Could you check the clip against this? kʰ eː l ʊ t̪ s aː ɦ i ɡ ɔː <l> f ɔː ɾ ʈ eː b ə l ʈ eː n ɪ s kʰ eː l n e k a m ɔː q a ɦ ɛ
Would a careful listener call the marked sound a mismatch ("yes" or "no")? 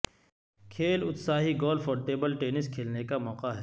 no